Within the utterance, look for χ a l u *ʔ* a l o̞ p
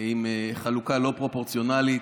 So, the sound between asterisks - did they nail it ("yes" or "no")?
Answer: no